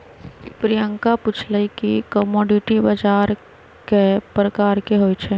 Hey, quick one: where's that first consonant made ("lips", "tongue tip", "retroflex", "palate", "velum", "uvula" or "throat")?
lips